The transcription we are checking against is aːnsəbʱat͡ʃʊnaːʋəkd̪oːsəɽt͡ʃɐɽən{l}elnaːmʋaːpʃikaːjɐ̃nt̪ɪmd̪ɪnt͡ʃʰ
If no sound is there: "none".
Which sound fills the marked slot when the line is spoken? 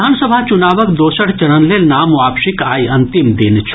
l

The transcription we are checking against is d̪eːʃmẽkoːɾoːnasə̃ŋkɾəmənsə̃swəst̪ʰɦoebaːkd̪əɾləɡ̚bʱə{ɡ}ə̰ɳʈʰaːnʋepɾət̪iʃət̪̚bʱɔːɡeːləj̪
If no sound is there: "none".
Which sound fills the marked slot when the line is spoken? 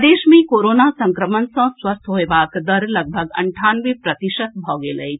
ɡ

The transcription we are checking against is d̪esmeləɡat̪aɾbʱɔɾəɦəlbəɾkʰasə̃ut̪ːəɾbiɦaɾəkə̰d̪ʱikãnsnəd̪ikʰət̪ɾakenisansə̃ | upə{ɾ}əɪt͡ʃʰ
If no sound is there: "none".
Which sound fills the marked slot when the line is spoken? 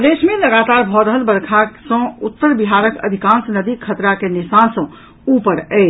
ɾ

